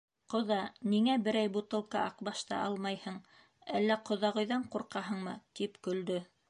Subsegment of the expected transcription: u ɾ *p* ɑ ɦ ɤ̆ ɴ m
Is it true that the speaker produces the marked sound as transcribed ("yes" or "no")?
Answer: no